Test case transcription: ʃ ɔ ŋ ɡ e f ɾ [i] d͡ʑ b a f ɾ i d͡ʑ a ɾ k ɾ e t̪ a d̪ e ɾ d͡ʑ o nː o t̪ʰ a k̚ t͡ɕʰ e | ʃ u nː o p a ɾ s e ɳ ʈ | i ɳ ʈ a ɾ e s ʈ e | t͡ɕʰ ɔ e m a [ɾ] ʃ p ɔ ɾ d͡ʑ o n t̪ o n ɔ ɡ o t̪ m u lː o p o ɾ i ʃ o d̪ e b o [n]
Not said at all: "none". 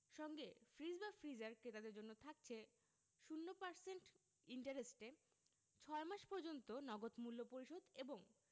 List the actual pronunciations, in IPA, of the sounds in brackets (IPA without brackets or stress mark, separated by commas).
i, none, ŋ